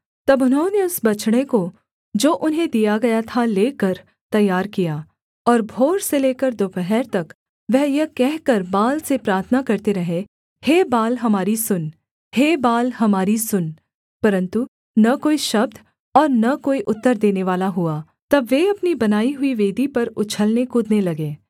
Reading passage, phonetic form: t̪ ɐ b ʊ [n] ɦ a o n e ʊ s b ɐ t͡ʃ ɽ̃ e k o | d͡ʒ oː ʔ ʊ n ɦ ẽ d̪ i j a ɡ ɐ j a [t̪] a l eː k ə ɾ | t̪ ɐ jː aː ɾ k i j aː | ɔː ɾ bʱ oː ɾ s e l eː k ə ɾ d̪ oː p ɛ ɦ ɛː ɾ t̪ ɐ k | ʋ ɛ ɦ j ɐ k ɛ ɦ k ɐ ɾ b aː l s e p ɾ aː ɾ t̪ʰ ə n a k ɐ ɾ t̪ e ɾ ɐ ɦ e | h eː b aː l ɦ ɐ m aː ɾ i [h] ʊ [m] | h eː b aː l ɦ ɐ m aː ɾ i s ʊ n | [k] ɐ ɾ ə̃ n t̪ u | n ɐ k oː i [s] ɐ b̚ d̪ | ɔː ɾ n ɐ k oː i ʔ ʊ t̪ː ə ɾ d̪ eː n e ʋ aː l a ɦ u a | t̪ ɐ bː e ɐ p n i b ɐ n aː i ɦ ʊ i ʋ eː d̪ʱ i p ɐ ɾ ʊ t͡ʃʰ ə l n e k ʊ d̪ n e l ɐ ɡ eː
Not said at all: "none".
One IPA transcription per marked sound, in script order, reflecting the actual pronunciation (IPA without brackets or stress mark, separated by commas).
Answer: n, t̪ʰ, s, n, p, ʃ